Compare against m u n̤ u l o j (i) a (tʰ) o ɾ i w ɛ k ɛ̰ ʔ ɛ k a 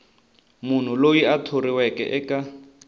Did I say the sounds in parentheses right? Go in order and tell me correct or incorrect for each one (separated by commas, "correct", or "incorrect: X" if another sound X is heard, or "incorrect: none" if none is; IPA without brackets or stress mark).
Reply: correct, correct